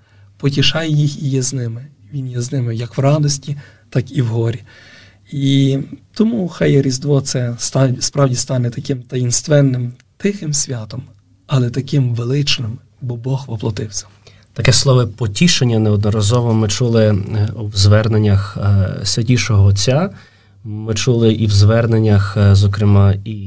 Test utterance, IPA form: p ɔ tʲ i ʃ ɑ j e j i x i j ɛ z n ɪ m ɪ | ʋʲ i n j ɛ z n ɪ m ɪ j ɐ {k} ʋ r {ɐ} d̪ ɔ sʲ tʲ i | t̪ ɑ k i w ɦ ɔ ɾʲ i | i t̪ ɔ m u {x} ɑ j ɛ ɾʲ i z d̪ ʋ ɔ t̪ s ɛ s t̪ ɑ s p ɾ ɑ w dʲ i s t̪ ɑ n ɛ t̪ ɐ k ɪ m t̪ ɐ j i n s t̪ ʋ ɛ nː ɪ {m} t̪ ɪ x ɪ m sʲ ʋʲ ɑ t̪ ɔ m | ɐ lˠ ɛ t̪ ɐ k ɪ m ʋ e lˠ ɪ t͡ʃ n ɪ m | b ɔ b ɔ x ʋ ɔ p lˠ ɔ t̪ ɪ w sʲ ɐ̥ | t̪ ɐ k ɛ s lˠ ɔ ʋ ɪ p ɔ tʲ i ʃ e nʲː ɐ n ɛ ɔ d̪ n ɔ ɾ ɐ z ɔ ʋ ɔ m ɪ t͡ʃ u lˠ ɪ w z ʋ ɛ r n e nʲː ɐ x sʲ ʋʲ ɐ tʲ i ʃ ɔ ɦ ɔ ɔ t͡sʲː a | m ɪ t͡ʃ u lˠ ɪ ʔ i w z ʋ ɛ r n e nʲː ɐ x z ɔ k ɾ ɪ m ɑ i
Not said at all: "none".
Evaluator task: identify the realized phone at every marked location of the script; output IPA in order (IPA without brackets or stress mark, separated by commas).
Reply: k, ɑ, x, m